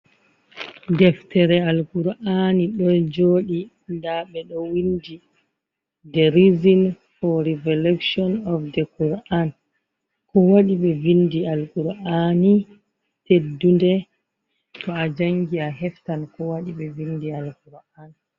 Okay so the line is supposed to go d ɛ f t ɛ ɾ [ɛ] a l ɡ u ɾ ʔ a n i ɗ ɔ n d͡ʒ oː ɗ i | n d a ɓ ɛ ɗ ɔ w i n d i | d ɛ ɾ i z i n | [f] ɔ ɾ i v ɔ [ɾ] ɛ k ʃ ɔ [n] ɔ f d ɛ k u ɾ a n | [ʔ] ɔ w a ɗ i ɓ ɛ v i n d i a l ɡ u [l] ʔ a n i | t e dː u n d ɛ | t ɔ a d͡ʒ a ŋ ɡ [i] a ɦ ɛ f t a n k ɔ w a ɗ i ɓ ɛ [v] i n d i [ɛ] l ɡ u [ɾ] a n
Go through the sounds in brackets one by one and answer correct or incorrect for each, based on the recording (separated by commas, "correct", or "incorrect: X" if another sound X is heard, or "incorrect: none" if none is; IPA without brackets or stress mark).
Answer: correct, correct, incorrect: l, correct, incorrect: k, incorrect: ɾ, correct, correct, incorrect: a, correct